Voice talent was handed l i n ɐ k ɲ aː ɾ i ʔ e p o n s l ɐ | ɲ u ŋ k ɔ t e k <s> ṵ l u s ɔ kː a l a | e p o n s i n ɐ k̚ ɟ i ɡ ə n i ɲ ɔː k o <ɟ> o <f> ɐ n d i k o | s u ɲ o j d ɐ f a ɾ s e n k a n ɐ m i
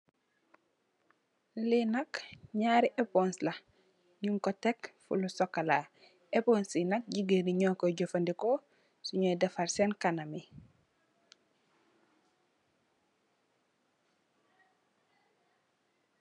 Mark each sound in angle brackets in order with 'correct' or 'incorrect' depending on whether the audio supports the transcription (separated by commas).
incorrect, correct, correct